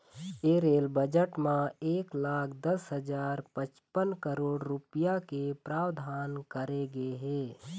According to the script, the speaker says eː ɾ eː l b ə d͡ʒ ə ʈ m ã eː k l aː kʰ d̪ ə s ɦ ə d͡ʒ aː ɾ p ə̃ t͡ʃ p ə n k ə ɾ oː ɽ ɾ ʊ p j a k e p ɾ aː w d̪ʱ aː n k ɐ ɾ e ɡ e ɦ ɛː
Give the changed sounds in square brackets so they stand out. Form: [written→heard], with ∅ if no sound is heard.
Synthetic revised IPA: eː ɾ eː l b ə d͡ʒ ə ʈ m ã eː k l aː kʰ d̪ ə s ɦ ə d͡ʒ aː ɾ p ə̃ t͡ʃ p ə n k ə ɾ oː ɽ ɾ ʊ p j a k e p ɾ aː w d̪ʱ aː n k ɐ ɾ e ɡ e ɦ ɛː

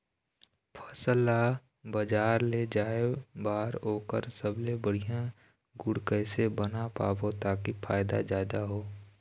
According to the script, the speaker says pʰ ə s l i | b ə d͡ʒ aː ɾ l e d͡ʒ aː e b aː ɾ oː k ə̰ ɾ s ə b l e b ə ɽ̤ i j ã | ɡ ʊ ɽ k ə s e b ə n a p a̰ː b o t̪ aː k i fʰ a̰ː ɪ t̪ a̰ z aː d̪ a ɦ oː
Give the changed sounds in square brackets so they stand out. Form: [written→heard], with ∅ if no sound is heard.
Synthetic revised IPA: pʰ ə s l [i→a] | b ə d͡ʒ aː ɾ l e d͡ʒ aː e b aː ɾ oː k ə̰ ɾ s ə b l e b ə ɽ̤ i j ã | ɡ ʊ ɽ k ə s e b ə n a p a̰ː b o t̪ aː k i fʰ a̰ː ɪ [t̪→d̪] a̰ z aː d̪ a ɦ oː

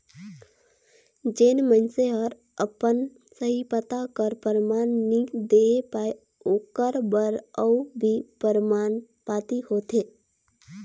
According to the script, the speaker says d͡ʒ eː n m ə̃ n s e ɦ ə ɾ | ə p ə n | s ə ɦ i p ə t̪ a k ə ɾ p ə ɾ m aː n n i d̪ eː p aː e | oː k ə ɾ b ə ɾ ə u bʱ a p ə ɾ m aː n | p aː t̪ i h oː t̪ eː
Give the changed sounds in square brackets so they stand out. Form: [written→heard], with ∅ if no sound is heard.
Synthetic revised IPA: d͡ʒ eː n m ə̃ n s e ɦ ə ɾ | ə p ə n | s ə ɦ i p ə t̪ a k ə ɾ p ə ɾ m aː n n i d̪ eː p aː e | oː k ə ɾ b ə ɾ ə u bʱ [a→i] p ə ɾ m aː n | p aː t̪ i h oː t̪ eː

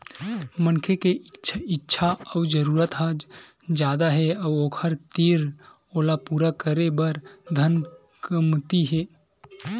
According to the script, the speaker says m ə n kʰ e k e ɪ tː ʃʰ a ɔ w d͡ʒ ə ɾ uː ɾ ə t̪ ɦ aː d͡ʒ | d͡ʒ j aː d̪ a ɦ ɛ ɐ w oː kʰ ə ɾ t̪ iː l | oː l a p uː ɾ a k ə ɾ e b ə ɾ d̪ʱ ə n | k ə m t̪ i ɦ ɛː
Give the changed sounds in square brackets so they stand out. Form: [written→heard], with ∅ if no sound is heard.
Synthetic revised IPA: m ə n kʰ e k e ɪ tː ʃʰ a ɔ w d͡ʒ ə ɾ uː ɾ ə t̪ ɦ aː d͡ʒ | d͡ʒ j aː d̪ a ɦ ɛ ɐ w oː kʰ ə ɾ t̪ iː [l→ɾ] | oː l a p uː ɾ a k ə ɾ e b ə ɾ d̪ʱ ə n | k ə m t̪ i ɦ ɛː

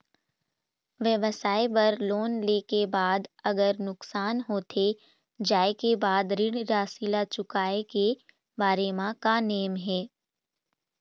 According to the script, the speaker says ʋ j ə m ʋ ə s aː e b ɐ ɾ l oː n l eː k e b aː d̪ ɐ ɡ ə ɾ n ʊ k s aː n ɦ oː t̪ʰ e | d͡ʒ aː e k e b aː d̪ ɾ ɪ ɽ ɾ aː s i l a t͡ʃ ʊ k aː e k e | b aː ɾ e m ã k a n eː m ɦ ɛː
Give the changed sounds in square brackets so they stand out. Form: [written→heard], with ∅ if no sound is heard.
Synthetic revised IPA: ʋ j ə [m→∅] ʋ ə s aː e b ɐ ɾ l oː n l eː k e b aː d̪ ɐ ɡ ə ɾ n ʊ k s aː n ɦ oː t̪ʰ e | d͡ʒ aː e k e b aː d̪ ɾ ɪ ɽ ɾ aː s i l a t͡ʃ ʊ k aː e k e | b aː ɾ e m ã k a n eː m ɦ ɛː

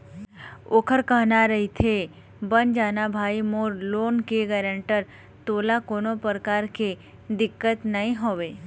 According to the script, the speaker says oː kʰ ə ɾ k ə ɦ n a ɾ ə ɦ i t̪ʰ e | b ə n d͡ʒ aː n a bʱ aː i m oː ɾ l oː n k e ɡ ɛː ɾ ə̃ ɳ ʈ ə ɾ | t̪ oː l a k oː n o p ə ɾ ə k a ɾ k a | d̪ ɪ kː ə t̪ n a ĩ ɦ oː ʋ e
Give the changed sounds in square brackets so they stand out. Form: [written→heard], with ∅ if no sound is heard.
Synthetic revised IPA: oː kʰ ə ɾ k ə ɦ n a ɾ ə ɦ i t̪ʰ e | b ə n d͡ʒ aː n a bʱ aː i m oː ɾ l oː n k e ɡ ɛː ɾ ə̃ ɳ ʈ ə ɾ | t̪ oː l a k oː n o p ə ɾ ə k a ɾ k [a→e] | d̪ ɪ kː ə t̪ n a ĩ ɦ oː ʋ e

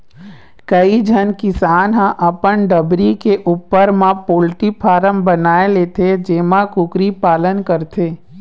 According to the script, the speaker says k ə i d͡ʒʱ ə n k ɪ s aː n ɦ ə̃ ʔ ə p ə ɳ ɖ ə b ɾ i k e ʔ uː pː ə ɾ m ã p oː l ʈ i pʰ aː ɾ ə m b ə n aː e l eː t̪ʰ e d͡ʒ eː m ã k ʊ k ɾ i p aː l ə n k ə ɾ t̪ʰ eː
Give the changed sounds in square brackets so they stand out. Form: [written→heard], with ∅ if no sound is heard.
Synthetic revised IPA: k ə i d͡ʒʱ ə n k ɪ s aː n ɦ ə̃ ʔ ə p ə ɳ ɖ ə b ɾ i k e ʔ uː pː ə ɾ m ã p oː l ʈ i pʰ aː ɾ ə m b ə n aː e l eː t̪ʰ e d͡ʒ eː m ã k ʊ k ɾ i p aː l ə n k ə ɾ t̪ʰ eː

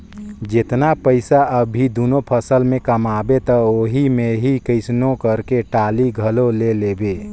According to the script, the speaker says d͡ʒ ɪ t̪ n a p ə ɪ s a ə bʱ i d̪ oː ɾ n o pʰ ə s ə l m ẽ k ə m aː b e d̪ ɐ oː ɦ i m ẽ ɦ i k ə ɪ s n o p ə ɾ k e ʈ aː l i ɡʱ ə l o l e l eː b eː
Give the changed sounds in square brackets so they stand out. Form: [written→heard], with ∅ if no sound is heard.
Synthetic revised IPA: d͡ʒ ɪ t̪ n a p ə ɪ s a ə bʱ i d̪ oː [ɾ→∅] n o pʰ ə s ə l m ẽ k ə m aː b e [d̪→t̪] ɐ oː ɦ i m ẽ ɦ i k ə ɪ s n o [p→k] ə ɾ k e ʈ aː l i ɡʱ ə l o l e l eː b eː

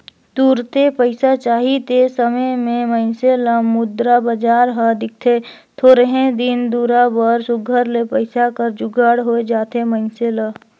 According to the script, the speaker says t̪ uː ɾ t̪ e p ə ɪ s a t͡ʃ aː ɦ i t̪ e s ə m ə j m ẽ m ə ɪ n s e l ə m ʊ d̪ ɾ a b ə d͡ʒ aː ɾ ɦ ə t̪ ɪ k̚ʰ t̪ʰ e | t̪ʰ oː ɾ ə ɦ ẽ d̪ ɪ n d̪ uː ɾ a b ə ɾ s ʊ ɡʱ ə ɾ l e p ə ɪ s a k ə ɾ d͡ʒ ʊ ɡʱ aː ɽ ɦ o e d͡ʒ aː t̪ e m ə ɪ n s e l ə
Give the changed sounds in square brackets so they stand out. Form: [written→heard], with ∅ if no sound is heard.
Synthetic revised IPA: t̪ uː ɾ t̪ e p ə ɪ s a t͡ʃ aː ɦ i t̪ e s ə m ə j m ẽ m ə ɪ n s e l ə m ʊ d̪ ɾ a b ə d͡ʒ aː ɾ ɦ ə [t̪→d̪] ɪ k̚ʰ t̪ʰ e | t̪ʰ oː ɾ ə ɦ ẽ d̪ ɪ n d̪ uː ɾ a b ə ɾ s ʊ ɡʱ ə ɾ l e p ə ɪ s a k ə ɾ d͡ʒ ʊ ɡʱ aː ɽ ɦ o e d͡ʒ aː t̪ e m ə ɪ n s e l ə

